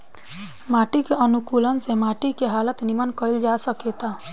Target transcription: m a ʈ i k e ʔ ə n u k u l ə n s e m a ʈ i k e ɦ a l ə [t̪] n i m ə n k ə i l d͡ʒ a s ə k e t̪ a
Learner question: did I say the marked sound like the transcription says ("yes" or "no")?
yes